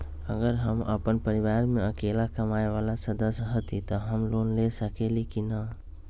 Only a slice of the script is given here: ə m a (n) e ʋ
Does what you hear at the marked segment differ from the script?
yes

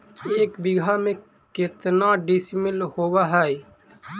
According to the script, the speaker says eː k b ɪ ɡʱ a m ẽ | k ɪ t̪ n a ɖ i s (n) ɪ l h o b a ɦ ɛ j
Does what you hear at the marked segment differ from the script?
yes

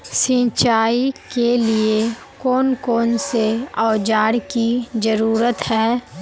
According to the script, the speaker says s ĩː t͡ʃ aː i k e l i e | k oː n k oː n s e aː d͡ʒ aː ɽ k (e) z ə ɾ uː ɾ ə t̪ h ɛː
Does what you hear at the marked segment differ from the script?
yes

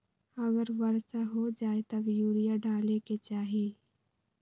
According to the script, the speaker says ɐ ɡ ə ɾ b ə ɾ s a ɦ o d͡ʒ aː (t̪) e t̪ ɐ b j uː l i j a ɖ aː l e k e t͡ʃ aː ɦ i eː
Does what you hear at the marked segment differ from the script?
yes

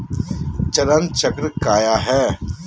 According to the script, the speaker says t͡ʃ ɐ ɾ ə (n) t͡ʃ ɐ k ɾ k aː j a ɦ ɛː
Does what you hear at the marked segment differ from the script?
no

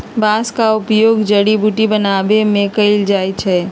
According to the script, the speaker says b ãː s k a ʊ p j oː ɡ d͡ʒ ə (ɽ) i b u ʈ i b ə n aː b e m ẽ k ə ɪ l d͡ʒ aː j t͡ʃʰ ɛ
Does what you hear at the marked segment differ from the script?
no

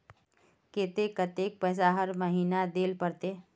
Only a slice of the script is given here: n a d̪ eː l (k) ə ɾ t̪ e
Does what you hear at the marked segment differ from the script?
yes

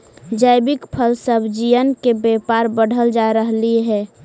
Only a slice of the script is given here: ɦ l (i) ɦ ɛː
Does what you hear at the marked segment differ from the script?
no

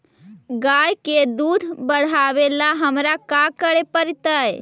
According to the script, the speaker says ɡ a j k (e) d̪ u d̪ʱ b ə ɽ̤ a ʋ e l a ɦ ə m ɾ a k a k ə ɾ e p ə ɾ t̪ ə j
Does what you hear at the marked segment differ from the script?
no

